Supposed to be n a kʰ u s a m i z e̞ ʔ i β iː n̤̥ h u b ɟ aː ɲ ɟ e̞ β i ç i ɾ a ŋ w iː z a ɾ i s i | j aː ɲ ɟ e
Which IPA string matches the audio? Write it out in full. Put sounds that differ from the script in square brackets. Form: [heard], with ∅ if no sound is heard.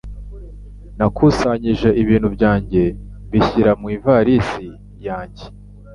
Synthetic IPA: n a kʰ u s a [ɲ] i [ʒ] e̞ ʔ i β iː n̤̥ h u b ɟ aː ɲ ɟ e̞ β i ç i ɾ a [m] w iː [v] a ɾ i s i | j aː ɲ ɟ e